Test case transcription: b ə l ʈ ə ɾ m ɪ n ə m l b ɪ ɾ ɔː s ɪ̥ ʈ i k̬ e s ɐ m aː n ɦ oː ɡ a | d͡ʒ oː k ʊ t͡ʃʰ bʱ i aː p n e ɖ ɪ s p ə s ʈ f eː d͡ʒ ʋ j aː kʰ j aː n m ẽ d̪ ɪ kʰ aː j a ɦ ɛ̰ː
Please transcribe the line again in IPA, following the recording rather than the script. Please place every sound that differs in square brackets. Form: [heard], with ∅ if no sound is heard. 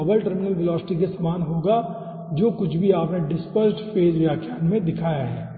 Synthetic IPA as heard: b ə l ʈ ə ɾ m ɪ n ə [∅] l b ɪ [l] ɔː s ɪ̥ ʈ i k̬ e s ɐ m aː n ɦ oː ɡ a | d͡ʒ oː k ʊ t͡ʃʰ bʱ i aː p n e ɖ ɪ s p ə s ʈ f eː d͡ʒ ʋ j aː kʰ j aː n m ẽ d̪ ɪ kʰ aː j a ɦ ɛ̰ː